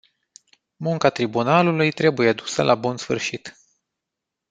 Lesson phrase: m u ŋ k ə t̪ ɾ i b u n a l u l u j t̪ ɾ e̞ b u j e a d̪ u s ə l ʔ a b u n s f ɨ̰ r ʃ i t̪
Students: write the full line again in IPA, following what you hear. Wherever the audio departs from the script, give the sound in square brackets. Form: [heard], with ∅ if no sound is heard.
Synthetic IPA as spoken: m u ŋ k [a] t̪ ɾ i b u n a l u l u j t̪ ɾ e̞ b u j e a d̪ u s ə l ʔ a b u n s f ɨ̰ r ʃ i t̪

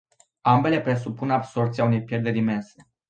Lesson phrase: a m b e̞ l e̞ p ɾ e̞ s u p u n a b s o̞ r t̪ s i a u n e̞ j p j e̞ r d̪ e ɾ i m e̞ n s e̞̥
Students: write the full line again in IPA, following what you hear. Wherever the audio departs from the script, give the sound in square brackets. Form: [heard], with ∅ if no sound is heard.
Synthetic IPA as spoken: a m b e̞ l e̞ p ɾ e̞ s u p u n a b s o̞ r t̪ s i a u n e̞ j p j e̞ r d̪ e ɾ i m e̞ n s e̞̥

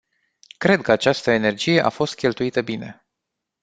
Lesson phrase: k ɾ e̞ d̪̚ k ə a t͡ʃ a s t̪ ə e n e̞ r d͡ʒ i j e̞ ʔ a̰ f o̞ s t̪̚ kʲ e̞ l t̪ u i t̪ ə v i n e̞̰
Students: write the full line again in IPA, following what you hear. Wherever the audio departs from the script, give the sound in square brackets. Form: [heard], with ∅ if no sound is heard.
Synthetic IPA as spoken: k ɾ e̞ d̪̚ k ə a t͡ʃ a s t̪ ə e n e̞ r d͡ʒ i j e̞ ʔ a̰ f o̞ s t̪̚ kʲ e̞ l t̪ u i t̪ ə [b] i n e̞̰

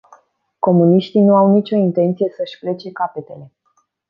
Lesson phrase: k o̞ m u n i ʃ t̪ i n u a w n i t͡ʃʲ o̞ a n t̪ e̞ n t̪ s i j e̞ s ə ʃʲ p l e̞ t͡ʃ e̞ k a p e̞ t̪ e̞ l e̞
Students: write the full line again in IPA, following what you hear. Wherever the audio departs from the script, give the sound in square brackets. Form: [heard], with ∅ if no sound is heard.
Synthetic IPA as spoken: k o̞ m u n i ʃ t̪ i n u a w n i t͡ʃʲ o̞ [i] n t̪ e̞ n t̪ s i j e̞ s ə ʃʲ p l e̞ t͡ʃ e̞ k a p e̞ t̪ e̞ l e̞

